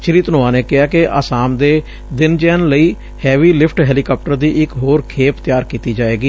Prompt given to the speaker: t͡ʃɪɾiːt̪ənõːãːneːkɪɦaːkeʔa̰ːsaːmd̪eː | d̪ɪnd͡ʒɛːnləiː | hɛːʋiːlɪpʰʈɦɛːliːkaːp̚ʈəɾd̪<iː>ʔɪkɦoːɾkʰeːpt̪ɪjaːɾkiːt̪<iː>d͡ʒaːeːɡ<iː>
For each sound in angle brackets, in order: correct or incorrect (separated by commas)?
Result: correct, correct, correct